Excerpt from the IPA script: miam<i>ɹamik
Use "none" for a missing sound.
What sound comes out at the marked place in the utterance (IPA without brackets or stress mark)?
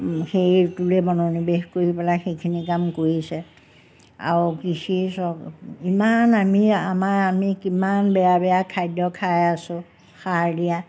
a